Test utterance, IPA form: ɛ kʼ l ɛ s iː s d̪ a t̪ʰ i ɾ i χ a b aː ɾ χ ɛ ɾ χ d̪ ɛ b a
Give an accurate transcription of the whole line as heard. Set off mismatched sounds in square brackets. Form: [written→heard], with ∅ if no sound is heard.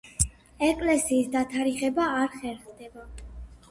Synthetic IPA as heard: ɛ kʼ l ɛ s iː s d̪ a t̪ʰ [i→a] ɾ i χ [a→ɛ] b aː ɾ χ ɛ ɾ χ d̪ ɛ b a